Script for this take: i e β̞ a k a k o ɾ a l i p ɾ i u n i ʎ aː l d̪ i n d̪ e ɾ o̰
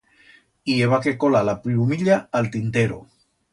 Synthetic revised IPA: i e β̞ a k e k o l a l a p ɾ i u m i ʎ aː l t̪ i n t̪ e ɾ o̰